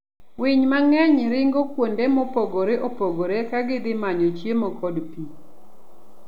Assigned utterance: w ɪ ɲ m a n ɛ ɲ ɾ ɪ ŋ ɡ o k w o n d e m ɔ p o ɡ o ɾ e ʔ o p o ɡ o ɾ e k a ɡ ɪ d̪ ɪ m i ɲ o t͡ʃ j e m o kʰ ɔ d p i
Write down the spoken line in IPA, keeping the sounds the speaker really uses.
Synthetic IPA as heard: w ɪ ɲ m a ŋ ɛ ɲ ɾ ɪ ŋ ɡ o k w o n d e m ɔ p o ɡ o ɾ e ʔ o p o ɡ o ɾ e k a ɡ ɪ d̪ ɪ m a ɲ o t͡ʃ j e m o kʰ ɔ d p i